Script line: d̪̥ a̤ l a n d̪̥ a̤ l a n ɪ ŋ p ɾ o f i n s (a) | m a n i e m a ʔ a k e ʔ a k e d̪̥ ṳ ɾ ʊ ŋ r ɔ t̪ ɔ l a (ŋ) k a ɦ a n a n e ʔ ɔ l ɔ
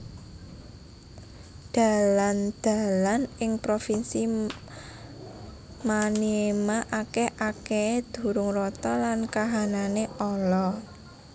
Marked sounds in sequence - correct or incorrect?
incorrect: i, incorrect: n

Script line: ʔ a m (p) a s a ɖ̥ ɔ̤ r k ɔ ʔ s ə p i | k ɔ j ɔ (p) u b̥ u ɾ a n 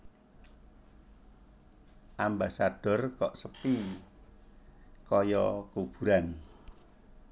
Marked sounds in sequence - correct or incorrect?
incorrect: b, incorrect: k

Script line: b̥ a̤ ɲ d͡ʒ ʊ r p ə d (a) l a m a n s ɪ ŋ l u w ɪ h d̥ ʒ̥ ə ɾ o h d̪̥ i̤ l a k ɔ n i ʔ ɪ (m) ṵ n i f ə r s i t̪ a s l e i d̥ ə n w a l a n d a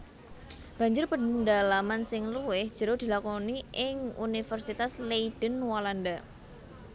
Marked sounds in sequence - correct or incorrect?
correct, incorrect: ŋ

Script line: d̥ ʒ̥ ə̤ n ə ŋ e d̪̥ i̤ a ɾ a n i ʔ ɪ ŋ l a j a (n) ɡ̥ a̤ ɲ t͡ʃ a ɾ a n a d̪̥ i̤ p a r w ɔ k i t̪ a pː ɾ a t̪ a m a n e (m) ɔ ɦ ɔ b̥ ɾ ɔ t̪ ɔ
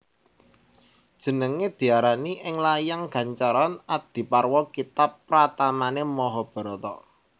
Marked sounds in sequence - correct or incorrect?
incorrect: ŋ, correct

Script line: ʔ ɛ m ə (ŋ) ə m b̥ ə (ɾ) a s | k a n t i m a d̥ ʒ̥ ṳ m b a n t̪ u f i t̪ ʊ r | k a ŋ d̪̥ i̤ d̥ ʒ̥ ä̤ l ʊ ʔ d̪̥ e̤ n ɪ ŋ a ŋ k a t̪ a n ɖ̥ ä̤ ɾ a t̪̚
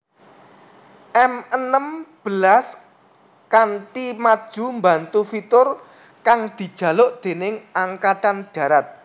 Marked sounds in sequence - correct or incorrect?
incorrect: n, incorrect: l

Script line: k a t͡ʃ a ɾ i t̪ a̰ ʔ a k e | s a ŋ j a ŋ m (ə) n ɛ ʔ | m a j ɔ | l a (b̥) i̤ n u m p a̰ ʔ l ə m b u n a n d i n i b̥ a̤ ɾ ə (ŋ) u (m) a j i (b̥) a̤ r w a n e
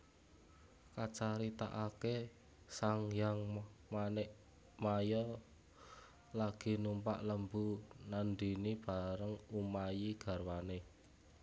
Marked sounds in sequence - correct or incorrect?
incorrect: a, incorrect: ɡ̥, correct, correct, incorrect: ɡ̥

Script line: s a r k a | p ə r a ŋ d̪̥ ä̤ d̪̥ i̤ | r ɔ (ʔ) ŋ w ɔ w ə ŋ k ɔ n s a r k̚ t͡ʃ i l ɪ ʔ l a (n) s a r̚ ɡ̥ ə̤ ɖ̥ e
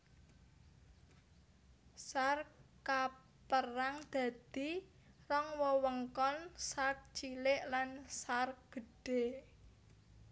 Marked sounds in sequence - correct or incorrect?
incorrect: none, correct

